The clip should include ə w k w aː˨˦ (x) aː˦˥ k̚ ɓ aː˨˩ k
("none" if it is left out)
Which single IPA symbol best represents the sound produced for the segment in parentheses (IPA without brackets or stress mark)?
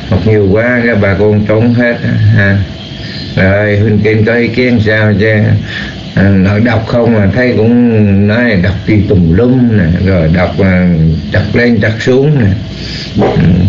k